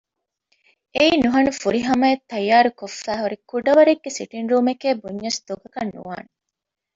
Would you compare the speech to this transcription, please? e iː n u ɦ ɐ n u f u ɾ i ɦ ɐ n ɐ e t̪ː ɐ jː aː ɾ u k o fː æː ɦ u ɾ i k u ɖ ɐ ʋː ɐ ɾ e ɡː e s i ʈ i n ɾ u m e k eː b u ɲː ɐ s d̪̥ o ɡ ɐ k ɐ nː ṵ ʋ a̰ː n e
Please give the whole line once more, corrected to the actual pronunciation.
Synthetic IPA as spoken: e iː n u ɦ ɐ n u f u ɾ i ɦ ɐ m ɐ e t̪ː ɐ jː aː ɾ u k o fː æː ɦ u ɾ i k u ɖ ɐ ʋ ɐ ɾ e ɡː e s i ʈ i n ɾ uː m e k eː b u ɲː ɐ s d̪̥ o ɡ ɐ k ɐ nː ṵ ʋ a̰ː n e